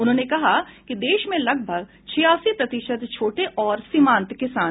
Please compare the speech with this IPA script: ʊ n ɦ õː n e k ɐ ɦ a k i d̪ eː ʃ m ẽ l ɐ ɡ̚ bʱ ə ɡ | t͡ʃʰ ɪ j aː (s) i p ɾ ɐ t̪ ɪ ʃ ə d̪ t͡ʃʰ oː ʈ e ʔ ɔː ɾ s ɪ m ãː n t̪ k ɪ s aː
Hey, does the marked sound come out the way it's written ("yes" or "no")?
yes